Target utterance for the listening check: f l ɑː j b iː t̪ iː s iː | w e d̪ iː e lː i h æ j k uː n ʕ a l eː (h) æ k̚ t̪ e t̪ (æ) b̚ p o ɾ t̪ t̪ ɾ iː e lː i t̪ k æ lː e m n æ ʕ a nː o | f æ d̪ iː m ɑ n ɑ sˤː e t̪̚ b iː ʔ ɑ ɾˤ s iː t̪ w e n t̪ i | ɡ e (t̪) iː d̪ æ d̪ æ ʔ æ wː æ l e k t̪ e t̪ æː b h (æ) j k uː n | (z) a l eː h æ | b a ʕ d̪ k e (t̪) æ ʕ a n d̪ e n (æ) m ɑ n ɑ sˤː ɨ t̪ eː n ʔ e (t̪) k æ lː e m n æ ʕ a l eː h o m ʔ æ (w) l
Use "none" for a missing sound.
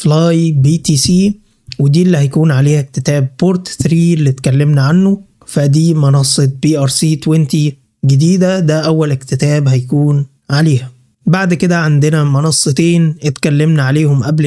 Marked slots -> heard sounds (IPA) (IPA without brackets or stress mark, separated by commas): h, æː, d̪, æ, ʕ, d̪, æ, t̪, b